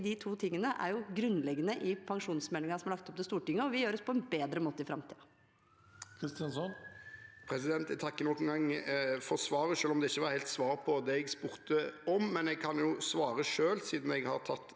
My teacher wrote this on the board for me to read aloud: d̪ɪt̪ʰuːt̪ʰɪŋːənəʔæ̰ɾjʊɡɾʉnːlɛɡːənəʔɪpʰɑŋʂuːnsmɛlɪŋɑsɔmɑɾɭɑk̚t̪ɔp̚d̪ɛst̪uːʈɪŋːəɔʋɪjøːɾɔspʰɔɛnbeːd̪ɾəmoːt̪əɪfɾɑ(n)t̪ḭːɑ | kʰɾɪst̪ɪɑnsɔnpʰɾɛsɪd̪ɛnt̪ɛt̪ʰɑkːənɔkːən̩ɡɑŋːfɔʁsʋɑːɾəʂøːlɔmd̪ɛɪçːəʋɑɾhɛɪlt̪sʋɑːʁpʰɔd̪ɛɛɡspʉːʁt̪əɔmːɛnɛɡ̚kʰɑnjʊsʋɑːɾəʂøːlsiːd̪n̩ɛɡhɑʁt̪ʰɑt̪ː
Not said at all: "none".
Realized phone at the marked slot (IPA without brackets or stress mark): m